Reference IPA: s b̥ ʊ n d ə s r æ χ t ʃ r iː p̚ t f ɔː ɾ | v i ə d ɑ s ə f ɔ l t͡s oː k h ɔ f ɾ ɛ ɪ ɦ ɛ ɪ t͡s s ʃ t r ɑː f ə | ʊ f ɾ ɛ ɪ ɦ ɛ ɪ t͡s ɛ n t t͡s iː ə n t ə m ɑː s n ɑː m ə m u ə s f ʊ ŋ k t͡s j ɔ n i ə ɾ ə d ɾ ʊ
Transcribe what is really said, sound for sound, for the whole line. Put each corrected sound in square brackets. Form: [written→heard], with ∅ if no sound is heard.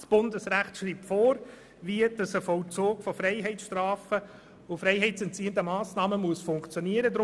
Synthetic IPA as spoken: s b̥ ʊ n d ə s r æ χ t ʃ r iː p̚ t f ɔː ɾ | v i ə d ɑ s ə f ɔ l t͡s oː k [h→f] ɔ f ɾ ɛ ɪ ɦ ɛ ɪ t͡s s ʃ t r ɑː f ə | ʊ f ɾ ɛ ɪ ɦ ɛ ɪ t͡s ɛ n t t͡s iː ə n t ə m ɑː s n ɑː m ə m u ə s f ʊ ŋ k t͡s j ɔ n i ə ɾ ə d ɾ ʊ